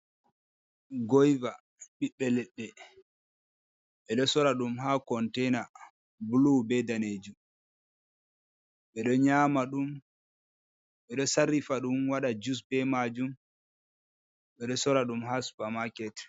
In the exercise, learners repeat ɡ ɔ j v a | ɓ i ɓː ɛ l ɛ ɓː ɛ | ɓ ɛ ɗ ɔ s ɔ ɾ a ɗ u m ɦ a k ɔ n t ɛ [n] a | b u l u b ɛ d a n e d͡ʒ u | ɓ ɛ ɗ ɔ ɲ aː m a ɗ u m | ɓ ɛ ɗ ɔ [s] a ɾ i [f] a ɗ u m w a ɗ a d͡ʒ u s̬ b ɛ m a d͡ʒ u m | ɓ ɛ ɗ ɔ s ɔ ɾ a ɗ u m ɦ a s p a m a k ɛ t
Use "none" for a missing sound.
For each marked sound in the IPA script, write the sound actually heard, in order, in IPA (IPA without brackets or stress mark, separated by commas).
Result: n, s, f